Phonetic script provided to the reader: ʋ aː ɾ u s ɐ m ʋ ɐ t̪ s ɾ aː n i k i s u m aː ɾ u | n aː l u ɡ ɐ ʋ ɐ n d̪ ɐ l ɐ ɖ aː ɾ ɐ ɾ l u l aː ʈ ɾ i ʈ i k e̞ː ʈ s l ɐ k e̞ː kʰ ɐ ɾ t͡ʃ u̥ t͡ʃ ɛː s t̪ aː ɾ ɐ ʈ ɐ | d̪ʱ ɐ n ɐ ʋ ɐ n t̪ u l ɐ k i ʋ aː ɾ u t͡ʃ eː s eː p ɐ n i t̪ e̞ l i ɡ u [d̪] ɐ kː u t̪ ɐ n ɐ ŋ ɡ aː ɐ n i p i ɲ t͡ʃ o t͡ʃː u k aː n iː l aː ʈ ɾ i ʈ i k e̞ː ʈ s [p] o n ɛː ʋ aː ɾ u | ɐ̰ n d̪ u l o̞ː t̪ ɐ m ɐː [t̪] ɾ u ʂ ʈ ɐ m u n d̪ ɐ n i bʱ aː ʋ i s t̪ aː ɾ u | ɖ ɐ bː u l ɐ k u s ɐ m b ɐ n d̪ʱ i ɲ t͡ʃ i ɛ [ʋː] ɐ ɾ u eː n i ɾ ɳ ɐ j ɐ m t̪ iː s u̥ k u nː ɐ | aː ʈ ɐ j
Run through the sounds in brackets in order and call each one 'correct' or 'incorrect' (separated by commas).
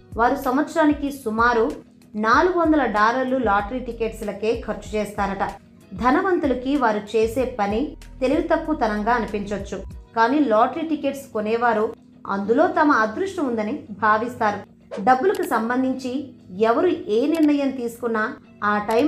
incorrect, incorrect, incorrect, incorrect